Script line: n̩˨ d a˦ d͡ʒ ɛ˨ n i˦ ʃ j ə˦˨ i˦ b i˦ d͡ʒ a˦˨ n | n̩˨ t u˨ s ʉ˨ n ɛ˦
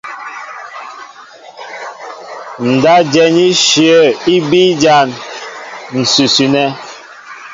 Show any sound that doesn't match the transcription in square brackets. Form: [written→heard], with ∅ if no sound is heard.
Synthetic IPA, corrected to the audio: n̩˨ d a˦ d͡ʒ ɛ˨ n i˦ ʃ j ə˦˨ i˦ b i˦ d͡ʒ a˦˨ n | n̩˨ [t→s] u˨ s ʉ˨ n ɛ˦